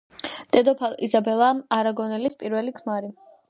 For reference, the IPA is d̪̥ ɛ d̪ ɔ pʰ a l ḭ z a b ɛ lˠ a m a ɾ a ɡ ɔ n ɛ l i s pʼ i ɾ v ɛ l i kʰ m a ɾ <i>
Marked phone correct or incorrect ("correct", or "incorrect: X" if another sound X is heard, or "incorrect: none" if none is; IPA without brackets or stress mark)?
correct